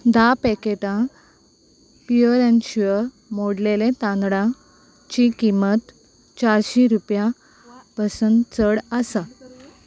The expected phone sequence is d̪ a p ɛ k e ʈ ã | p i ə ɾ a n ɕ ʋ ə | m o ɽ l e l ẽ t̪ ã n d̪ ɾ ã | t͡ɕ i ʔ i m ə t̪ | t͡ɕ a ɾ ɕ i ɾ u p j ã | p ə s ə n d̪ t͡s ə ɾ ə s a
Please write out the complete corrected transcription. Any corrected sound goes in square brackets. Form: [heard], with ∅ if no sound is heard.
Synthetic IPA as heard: d̪ a p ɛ k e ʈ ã | p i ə ɾ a n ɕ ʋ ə | m o ɽ l e l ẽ t̪ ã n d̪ [ɽ] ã | t͡ɕ i [k] i m ə t̪ | t͡ɕ a ɾ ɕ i ɾ u p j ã | p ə s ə n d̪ t͡s ə [ɽ] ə s a